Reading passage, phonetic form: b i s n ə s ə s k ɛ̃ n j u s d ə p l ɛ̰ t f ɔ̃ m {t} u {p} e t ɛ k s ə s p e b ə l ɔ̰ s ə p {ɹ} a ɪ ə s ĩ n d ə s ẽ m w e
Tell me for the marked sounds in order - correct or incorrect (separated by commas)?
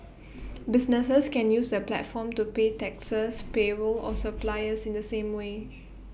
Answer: correct, correct, incorrect